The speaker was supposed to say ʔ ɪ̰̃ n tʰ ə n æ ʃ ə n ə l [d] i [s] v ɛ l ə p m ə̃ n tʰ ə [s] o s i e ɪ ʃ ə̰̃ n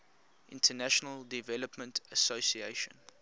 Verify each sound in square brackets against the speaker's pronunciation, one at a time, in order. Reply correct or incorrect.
correct, incorrect: none, correct

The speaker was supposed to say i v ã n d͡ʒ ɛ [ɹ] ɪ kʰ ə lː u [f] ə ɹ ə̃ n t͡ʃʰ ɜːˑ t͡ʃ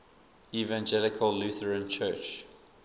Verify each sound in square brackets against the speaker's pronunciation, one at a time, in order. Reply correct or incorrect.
incorrect: l, incorrect: θ

